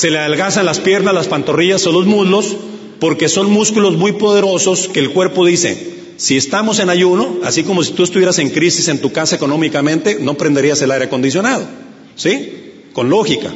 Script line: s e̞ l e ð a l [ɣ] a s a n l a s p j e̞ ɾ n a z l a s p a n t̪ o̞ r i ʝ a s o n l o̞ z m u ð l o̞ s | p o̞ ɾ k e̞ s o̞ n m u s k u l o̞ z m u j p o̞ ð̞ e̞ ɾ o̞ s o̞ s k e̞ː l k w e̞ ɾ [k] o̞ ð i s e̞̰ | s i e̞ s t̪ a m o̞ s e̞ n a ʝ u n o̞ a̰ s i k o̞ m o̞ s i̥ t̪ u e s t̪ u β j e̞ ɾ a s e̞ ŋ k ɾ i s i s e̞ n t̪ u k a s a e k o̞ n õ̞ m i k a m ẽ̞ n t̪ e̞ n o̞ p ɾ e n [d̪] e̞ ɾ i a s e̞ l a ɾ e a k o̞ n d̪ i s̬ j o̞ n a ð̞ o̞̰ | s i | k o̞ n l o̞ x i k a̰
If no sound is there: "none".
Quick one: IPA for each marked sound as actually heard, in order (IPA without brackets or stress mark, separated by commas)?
ɣ, p, d̪